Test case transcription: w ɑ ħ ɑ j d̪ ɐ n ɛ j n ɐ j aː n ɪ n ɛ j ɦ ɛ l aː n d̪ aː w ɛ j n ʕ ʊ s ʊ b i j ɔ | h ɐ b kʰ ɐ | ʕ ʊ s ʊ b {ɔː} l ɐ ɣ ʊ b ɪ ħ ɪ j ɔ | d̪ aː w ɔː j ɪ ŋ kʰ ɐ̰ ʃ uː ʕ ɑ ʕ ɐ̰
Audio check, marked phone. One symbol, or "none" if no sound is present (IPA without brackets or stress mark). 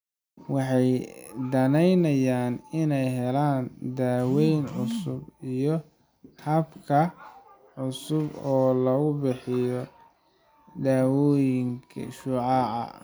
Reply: ɔː